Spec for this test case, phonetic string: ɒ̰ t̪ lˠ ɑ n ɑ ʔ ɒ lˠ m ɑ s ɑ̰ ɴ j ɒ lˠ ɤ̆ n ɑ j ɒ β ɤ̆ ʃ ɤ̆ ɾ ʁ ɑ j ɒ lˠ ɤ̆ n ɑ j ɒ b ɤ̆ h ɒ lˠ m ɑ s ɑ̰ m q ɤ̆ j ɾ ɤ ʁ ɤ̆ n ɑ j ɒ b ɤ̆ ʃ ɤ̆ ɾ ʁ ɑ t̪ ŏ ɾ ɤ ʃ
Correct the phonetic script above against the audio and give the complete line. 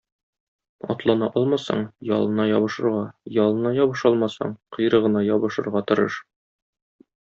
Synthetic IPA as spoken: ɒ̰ t̪ lˠ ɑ n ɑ ʔ ɒ lˠ m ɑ s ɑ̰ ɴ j ɒ lˠ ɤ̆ n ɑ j ɒ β ɤ̆ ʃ ɤ̆ ɾ ʁ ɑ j ɒ lˠ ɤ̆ n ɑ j ɒ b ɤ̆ ʃ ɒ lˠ m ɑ s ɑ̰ ɴ q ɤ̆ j ɾ ɤ ʁ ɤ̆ n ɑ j ɒ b ɤ̆ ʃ ɤ̆ ɾ ʁ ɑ t̪ ŏ ɾ ɤ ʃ